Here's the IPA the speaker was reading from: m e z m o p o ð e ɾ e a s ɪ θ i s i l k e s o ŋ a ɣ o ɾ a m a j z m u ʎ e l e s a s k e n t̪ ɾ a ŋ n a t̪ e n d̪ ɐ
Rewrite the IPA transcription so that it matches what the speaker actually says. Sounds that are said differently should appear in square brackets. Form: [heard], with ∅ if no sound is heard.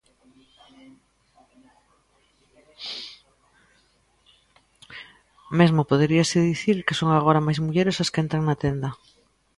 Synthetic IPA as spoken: m e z m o p o ð e ɾ [i] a s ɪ [ð] i [θ] i [ɾ] k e s o ŋ a ɣ o ɾ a m a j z m u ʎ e [ɾ] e s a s k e n t̪ ɾ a ŋ n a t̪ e n d̪ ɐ